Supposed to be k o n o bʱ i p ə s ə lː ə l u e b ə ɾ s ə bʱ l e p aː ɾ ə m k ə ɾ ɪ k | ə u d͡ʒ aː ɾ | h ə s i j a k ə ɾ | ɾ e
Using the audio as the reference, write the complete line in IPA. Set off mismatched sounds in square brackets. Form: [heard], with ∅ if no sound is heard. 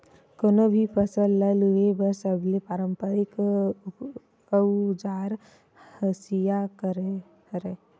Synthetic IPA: k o n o bʱ i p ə s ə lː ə l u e b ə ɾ s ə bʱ l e p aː ɾ ə m [p] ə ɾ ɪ k | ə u d͡ʒ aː ɾ | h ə s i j a k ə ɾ | ɾ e